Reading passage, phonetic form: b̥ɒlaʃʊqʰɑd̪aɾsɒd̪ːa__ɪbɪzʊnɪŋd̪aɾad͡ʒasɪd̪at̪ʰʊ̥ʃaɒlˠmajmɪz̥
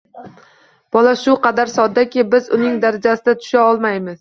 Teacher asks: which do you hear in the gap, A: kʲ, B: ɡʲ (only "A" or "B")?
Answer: A